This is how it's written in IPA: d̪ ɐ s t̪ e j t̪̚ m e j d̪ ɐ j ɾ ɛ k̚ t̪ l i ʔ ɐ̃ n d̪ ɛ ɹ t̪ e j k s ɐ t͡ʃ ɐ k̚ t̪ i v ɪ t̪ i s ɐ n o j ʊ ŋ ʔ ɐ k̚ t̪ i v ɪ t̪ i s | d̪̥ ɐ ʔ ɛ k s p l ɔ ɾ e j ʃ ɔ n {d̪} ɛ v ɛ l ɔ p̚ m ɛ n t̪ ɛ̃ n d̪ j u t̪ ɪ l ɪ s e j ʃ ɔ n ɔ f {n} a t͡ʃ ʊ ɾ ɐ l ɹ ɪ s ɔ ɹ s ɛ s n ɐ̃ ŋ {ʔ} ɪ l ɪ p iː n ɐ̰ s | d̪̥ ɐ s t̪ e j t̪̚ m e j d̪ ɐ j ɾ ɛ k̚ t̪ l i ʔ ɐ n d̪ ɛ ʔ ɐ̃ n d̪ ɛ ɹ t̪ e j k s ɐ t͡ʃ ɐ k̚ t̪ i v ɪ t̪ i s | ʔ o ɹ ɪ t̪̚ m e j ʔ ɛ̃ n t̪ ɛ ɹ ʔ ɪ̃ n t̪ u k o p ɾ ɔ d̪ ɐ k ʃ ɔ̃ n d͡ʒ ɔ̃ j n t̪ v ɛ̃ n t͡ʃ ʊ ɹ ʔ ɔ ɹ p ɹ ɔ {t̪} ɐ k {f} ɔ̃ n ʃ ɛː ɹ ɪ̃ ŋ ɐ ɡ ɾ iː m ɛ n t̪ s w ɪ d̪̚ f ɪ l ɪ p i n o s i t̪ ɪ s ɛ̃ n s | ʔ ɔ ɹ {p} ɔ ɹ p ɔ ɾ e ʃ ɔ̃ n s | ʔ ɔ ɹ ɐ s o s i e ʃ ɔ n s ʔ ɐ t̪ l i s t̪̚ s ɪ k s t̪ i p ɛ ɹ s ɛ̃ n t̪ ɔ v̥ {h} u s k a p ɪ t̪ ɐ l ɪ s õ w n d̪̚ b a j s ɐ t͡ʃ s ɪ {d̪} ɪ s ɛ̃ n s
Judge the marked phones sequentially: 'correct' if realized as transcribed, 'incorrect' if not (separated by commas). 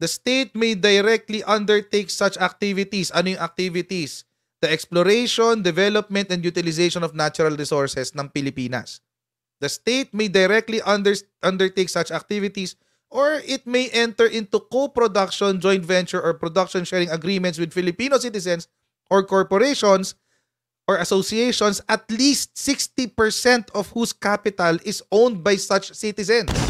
correct, correct, incorrect, incorrect, incorrect, incorrect, correct, incorrect